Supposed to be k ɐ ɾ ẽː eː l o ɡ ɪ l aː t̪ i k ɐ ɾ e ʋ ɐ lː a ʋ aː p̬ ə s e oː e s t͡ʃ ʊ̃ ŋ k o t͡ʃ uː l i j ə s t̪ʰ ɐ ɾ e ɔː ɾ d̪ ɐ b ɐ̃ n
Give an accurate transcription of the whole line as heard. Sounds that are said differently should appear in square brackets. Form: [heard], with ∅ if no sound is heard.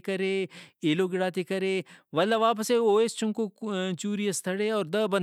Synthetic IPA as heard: k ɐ ɾ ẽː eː l o ɡ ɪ [ɽ] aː t̪ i k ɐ ɾ e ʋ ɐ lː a ʋ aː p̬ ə s e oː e s t͡ʃ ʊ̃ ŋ k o t͡ʃ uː [ɾ] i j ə s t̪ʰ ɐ [ɽ] e ɔː ɾ d̪ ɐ b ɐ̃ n